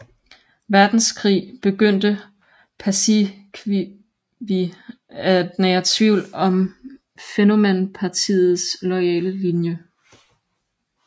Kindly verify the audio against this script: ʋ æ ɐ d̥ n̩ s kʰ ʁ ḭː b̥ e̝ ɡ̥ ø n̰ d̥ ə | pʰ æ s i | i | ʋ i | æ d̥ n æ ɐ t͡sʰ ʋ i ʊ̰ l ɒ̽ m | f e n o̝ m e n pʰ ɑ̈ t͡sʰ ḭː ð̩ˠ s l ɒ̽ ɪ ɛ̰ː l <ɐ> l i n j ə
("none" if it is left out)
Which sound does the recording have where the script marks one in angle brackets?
ə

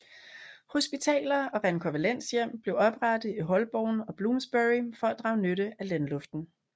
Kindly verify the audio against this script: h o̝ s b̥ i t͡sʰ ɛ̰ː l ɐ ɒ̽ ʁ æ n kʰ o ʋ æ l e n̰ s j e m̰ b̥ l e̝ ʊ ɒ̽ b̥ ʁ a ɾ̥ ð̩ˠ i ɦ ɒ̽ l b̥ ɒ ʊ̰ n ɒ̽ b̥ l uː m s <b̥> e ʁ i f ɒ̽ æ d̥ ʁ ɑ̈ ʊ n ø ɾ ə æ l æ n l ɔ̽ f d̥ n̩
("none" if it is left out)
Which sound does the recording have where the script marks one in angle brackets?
b̥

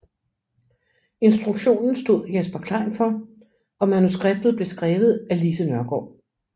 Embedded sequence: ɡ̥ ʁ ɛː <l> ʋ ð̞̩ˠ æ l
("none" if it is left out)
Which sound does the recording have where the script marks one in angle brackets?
none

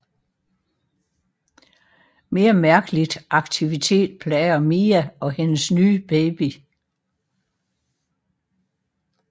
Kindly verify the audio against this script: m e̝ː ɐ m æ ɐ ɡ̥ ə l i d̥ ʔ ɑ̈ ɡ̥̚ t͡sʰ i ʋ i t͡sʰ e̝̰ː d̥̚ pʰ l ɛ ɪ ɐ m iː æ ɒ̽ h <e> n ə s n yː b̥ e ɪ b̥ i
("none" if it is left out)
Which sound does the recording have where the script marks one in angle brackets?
e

